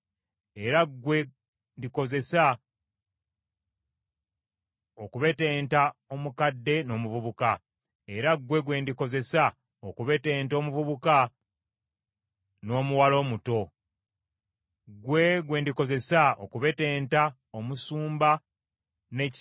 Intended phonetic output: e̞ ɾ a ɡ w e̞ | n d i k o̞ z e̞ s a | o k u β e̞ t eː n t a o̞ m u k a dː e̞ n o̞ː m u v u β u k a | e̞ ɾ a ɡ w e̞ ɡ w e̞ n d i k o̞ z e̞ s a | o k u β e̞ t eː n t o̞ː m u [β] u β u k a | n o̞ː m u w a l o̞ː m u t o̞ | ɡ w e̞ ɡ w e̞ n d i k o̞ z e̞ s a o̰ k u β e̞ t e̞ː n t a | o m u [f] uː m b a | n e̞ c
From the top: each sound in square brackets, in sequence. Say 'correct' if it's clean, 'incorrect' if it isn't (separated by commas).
incorrect, incorrect